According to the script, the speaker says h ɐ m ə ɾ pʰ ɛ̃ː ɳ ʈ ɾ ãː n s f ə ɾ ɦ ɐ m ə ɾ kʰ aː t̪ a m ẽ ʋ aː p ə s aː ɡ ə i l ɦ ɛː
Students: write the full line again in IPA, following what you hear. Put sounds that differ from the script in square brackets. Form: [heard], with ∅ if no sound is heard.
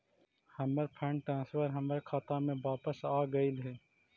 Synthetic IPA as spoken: h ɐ m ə ɾ pʰ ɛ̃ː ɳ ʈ ɾ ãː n s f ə ɾ ɦ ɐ m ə ɾ kʰ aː t̪ a m ẽ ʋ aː p ə s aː ɡ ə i l ɦ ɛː